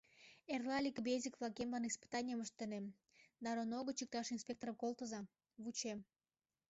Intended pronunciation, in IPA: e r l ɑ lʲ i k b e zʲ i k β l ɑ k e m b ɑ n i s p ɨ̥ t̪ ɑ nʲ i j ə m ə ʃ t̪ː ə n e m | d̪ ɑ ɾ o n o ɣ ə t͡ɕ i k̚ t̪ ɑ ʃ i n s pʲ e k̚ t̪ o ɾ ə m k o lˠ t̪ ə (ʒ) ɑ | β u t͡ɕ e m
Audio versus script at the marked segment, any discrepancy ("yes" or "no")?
yes